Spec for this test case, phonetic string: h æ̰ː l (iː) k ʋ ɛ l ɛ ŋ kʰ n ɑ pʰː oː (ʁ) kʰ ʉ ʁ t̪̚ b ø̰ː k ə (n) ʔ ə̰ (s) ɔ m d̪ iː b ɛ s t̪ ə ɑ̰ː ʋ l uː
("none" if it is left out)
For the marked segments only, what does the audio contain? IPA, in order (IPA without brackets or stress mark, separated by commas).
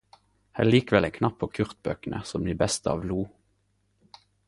iː, none, n, s